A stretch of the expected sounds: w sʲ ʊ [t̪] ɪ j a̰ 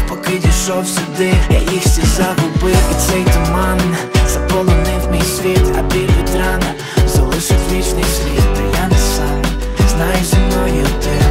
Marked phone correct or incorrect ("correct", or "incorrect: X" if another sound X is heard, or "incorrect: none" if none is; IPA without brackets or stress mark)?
incorrect: d̪